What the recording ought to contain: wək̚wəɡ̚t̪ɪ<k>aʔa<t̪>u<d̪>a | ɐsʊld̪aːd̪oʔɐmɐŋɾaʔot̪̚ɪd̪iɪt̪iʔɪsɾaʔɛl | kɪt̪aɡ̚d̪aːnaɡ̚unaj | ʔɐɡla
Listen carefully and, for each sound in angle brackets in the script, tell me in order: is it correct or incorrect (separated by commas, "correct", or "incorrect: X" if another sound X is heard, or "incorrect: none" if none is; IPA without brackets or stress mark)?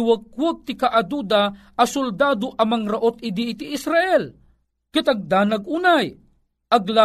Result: correct, incorrect: d̪, correct